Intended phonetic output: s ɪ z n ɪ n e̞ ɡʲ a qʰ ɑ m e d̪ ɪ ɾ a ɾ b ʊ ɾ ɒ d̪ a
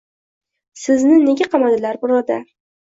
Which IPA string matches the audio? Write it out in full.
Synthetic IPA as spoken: s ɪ z n ɪ n e̞ ɡʲ a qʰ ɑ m a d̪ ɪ l a ɾ b ʊ ɾ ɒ d̪ a